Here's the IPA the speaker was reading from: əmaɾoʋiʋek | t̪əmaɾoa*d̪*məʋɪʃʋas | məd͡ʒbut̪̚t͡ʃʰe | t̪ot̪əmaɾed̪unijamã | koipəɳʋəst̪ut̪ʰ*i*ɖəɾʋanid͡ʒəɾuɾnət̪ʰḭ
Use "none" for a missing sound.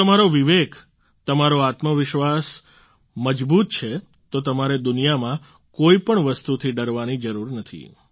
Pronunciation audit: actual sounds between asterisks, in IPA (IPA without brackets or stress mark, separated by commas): t̪, i